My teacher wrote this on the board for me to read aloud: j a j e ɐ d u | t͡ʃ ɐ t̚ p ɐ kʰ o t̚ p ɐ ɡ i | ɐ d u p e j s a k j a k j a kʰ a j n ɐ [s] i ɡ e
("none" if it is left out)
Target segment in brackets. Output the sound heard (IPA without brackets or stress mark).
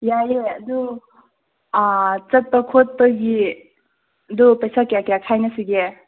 s